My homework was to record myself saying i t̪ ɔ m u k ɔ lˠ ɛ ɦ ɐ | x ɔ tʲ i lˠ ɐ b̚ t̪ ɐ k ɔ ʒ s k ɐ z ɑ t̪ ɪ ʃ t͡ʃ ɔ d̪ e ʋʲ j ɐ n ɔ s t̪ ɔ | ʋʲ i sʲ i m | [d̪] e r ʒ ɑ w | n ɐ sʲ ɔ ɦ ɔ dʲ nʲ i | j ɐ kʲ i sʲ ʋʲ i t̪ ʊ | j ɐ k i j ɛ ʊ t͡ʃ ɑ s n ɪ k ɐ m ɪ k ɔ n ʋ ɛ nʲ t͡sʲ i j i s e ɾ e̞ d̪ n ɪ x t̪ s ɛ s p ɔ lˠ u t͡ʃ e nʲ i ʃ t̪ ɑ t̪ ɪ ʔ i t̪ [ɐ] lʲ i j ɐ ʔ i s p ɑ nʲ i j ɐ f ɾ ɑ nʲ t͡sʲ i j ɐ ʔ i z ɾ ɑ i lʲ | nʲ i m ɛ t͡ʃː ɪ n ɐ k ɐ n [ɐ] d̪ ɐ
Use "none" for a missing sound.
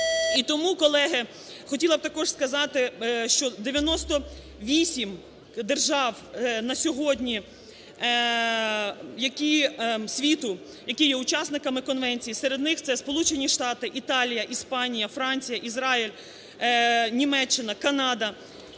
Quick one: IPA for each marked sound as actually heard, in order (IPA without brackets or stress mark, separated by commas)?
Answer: d̪, ɑ, ɑ